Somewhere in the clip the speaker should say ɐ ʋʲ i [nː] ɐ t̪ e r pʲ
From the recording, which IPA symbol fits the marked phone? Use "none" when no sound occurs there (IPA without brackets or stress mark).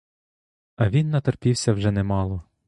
nː